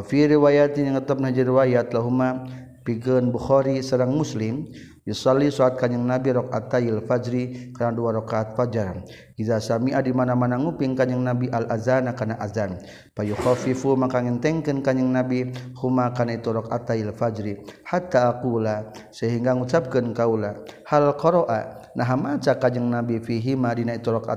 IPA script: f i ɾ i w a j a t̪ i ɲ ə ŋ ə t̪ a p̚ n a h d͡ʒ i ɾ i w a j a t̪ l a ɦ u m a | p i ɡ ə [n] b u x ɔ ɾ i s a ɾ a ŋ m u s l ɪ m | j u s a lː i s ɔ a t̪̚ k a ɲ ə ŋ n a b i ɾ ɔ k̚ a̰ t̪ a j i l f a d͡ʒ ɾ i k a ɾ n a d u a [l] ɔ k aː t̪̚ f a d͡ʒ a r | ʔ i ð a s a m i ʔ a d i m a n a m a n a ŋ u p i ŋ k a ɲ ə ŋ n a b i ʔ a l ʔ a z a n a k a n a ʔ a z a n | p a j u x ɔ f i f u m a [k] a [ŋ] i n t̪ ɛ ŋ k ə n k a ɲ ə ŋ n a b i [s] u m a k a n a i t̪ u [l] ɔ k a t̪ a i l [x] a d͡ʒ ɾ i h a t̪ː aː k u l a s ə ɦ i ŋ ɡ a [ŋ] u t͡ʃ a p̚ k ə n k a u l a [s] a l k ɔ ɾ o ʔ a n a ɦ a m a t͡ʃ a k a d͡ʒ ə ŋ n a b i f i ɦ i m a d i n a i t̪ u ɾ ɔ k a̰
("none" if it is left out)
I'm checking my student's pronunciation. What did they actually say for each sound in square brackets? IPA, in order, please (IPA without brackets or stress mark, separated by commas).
n, ɾ, k, ŋ, h, ɾ, f, ŋ, h